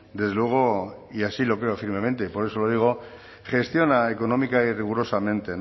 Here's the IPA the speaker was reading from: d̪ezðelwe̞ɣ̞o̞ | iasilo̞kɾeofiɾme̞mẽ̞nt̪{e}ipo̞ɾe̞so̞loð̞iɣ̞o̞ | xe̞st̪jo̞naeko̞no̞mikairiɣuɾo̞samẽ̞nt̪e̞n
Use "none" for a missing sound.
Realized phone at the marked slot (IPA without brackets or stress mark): e